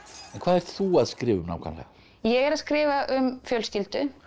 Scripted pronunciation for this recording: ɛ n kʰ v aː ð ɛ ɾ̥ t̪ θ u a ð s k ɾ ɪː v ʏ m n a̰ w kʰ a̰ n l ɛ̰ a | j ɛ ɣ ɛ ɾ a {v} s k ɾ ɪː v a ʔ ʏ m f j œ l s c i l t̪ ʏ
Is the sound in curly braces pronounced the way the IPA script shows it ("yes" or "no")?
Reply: no